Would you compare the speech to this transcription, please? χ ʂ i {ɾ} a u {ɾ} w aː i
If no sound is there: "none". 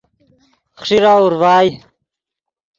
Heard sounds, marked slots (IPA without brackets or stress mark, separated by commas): ɾ, ɾ